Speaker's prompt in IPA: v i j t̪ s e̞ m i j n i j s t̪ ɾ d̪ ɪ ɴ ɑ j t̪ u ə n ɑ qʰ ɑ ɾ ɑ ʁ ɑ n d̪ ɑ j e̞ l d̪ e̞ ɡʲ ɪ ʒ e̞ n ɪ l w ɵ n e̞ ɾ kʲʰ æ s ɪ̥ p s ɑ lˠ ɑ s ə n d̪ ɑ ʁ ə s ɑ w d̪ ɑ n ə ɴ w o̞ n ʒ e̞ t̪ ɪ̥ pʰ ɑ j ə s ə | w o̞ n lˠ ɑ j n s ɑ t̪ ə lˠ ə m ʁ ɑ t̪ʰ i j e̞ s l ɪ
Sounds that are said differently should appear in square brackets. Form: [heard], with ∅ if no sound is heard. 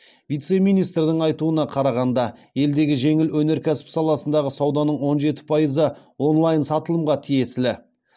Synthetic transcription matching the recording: v i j t̪ s e̞ m i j n i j s t̪ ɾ d̪ ɪ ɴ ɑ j t̪ u ə n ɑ qʰ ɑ ɾ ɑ ʁ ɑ n d̪ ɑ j e̞ l d̪ e̞ ɡʲ ɪ ʒ e̞ [ŋ] ɪ l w ɵ n e̞ ɾ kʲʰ æ s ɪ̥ p s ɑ lˠ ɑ s ə n d̪ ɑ ʁ ə s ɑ w d̪ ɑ n ə ɴ w o̞ n ʒ e̞ t̪ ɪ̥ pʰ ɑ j ə [z] ə | w o̞ n lˠ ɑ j n s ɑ t̪ ə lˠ ə m ʁ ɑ t̪ʰ i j e̞ s l ɪ